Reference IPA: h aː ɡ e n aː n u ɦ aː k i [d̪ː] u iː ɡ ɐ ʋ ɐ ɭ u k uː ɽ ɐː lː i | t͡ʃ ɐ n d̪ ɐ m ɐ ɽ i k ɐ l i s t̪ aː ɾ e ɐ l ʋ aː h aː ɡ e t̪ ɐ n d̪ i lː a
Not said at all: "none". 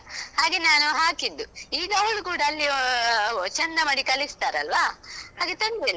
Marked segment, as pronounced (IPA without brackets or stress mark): d̪ː